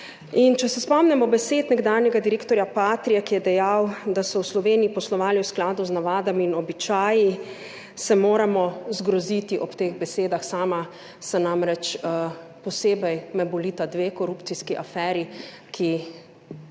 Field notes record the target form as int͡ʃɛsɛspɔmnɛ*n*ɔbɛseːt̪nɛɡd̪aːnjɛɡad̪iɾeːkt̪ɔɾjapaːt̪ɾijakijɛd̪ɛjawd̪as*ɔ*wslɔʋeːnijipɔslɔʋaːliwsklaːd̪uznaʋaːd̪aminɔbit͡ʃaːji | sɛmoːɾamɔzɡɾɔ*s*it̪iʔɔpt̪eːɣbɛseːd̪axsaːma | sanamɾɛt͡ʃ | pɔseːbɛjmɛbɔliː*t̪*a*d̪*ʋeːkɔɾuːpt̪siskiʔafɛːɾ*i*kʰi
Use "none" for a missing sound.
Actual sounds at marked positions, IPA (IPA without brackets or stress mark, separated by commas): m, ɔ, z, t̪, d̪, i